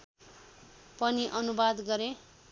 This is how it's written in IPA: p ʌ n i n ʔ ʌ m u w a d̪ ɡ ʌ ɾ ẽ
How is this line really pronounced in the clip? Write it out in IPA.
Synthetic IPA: p ʌ n i ʔ ʌ n u b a d̪ ɡ ʌ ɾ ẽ